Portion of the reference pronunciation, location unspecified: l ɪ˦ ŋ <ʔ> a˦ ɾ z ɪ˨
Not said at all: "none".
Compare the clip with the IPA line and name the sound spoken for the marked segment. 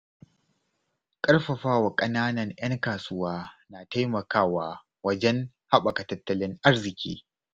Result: ʔ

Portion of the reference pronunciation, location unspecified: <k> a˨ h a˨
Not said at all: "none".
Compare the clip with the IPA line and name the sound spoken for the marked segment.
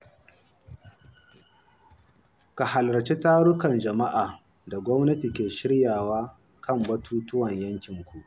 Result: k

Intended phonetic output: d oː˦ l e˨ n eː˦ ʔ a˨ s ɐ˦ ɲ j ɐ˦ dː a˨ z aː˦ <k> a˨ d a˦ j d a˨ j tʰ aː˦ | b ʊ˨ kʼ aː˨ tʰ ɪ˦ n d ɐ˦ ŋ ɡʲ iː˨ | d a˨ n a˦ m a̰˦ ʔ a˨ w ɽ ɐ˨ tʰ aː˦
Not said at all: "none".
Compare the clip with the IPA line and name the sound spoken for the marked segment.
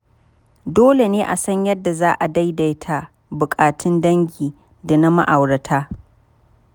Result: ʔ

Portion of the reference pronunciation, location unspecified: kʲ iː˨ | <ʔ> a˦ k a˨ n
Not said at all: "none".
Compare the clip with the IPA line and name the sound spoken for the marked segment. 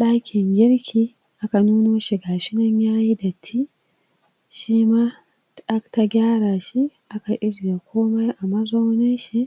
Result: ʔ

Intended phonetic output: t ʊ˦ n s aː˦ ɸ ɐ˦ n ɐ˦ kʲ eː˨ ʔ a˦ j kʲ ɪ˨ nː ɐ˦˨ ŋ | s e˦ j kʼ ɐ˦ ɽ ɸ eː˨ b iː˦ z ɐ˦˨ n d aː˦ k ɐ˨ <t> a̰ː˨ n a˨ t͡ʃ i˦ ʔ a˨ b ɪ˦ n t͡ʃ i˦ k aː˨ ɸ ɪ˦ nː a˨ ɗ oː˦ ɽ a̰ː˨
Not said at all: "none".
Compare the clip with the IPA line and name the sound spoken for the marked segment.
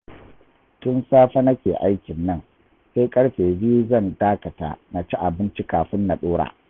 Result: t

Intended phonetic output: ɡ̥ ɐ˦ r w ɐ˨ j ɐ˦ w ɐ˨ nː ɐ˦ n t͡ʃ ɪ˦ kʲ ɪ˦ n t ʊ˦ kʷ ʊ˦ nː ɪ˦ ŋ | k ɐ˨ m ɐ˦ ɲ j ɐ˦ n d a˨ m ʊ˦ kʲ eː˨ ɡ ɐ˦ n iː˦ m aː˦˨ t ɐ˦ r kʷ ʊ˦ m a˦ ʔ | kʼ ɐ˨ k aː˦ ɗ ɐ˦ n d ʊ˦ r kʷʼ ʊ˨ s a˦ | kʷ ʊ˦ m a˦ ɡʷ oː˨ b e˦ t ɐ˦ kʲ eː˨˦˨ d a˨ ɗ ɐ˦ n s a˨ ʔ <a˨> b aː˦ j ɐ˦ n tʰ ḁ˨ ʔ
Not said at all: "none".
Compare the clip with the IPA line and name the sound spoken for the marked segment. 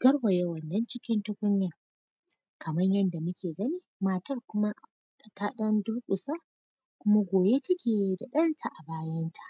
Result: a˨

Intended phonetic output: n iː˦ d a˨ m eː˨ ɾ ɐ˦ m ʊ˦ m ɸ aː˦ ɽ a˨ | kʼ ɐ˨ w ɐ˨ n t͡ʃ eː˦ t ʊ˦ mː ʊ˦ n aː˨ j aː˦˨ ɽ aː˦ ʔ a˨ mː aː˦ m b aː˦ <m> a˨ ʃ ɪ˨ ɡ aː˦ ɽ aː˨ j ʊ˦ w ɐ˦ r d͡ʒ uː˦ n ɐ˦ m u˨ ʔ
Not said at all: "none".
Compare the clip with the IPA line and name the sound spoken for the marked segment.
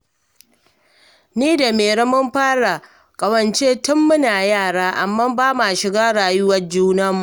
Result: m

